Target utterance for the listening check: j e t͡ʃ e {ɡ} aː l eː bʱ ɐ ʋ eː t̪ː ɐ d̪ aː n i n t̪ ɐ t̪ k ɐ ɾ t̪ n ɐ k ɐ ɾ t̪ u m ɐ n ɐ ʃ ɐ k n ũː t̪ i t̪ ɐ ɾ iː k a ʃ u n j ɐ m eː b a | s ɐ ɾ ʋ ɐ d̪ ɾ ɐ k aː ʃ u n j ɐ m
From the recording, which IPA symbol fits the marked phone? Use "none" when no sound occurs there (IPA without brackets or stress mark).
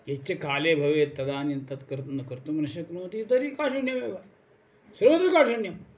k